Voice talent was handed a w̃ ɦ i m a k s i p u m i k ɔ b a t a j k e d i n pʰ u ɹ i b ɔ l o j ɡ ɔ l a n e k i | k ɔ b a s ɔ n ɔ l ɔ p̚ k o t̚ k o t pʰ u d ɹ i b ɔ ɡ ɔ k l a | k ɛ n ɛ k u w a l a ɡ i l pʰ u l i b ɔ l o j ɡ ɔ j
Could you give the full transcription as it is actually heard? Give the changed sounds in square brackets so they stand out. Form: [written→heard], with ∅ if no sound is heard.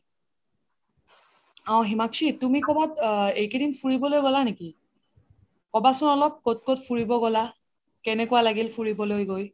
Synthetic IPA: a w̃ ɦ i m a k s i [p→t] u m i k ɔ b a t [a→e] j k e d i n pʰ u ɹ i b ɔ l o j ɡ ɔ l a n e k i | k ɔ b a s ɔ n ɔ l ɔ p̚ k o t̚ k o t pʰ u [d→∅] ɹ i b ɔ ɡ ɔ [k→∅] l a | k ɛ n ɛ k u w a l a ɡ i l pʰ u [l→ɹ] i b ɔ l o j ɡ [ɔ→o] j